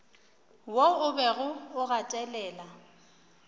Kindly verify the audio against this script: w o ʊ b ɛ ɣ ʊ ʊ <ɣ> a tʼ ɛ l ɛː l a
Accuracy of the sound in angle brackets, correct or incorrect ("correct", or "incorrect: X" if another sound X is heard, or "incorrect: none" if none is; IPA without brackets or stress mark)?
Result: correct